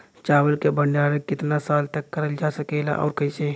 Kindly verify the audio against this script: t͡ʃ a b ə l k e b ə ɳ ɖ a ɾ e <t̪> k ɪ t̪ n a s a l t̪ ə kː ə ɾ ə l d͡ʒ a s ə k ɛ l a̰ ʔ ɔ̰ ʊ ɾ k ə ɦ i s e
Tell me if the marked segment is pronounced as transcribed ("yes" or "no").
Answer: no